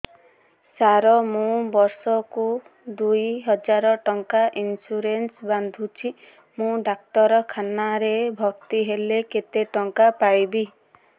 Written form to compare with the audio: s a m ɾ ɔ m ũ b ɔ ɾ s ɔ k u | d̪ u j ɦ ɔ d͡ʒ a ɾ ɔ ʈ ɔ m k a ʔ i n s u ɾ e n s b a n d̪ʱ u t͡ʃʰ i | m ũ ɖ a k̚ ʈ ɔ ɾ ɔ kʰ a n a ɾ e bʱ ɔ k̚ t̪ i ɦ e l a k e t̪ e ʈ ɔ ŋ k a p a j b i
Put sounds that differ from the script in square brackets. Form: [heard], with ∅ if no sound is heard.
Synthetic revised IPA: s a [∅] ɾ ɔ m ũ b ɔ ɾ s ɔ k u | d̪ u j ɦ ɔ d͡ʒ a ɾ ɔ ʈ ɔ [ŋ] k a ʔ i n s u ɾ e n s b a n d̪ʱ u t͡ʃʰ i | m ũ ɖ a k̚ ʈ ɔ ɾ ɔ kʰ a n a ɾ e bʱ ɔ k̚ t̪ i ɦ e l [e] k e t̪ e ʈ ɔ ŋ k a p a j b i